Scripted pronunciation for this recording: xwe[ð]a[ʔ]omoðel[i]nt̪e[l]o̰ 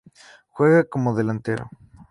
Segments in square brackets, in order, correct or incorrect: incorrect: ɣ, incorrect: k, incorrect: a, incorrect: ɾ

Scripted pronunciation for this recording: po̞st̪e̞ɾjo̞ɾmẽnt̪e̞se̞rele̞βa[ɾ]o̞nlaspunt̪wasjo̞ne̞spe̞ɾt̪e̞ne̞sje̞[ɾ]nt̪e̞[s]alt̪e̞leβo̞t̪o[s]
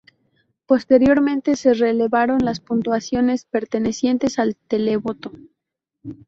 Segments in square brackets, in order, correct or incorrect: correct, incorrect: none, correct, incorrect: none

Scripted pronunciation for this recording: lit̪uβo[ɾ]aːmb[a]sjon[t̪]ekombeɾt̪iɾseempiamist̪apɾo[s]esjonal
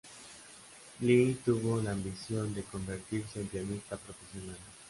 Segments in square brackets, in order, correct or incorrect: incorrect: l, incorrect: i, incorrect: d̪, incorrect: f

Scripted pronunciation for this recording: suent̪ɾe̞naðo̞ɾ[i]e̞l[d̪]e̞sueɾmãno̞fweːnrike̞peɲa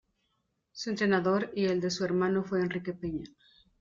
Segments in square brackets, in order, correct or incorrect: correct, correct

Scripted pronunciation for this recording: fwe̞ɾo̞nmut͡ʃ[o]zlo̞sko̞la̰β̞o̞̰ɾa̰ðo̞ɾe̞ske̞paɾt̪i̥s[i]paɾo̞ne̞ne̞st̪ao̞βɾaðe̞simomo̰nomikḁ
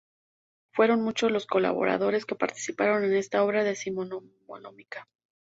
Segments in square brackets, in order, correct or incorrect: correct, correct

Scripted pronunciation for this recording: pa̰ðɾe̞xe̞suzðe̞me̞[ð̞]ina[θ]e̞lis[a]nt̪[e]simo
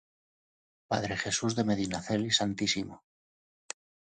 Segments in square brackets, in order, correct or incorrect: correct, correct, correct, incorrect: i

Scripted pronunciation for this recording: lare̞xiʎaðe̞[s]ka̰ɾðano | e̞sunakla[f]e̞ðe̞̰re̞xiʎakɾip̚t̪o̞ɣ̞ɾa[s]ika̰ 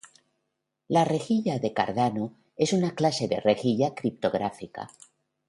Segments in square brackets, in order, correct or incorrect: incorrect: none, incorrect: s, incorrect: f

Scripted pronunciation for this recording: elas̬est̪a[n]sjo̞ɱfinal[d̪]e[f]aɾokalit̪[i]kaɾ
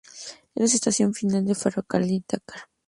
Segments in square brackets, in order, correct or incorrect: incorrect: none, correct, correct, incorrect: a

